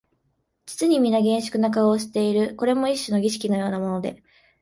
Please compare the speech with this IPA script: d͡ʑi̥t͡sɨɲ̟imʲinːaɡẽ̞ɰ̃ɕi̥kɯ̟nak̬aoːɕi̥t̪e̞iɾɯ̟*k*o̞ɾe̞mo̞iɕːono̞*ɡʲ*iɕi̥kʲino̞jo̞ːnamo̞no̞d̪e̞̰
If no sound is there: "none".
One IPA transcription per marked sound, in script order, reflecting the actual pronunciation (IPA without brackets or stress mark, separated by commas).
k, ɡʲ